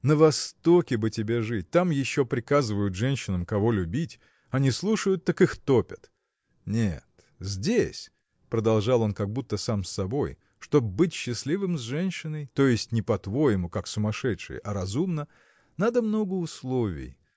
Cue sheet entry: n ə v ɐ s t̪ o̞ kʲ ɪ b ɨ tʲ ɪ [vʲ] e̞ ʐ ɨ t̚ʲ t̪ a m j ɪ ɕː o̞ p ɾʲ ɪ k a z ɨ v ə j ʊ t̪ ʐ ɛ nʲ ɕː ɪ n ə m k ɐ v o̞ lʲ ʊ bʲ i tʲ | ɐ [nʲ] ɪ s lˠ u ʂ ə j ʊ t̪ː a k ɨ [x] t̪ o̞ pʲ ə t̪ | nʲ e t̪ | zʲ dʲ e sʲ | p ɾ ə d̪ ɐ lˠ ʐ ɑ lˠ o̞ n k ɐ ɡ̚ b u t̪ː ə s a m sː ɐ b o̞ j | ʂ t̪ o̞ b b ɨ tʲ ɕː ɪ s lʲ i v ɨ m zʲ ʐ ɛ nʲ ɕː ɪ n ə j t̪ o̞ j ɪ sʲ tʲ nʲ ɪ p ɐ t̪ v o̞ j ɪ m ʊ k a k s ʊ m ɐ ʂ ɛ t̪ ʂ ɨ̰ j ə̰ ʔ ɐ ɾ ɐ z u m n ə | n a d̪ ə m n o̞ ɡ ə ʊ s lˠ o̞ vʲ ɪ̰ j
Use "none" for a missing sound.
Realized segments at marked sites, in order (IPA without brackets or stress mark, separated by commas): bʲ, nʲ, x